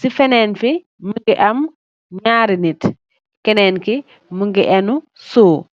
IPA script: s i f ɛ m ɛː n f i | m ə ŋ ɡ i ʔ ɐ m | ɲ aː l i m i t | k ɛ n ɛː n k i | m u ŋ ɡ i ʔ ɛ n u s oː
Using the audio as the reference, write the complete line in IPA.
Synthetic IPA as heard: s i f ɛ n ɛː n f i | m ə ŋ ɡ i ʔ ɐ m | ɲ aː ɾ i n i t | k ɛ n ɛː n k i | m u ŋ ɡ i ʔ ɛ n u s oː